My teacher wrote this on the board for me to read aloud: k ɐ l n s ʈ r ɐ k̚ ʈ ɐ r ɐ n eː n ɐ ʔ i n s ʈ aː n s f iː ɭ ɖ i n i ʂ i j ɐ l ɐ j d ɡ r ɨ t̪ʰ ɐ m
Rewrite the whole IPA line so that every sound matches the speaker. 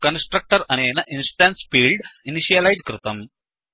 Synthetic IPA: k ɐ n s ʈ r ɐ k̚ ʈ ɐ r ɐ n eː n ɐ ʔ i n s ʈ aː n s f iː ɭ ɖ i n i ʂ i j ɐ l ɐ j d k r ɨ t̪ ɐ m